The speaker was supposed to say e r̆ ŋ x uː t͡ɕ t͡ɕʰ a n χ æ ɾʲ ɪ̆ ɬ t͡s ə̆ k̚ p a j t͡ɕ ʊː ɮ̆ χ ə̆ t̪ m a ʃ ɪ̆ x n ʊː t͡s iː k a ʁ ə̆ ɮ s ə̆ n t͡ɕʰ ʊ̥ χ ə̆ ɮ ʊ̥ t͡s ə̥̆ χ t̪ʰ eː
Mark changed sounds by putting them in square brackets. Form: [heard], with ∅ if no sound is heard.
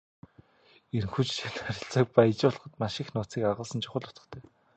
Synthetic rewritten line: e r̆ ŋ x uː t͡ɕ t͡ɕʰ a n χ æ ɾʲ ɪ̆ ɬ t͡s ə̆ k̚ p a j t͡ɕ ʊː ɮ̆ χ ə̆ t̪ m a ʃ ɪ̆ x n ʊː t͡s iː k a ʁ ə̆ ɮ s ə̆ n t͡ɕʰ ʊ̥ χ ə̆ ɮ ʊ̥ t͡s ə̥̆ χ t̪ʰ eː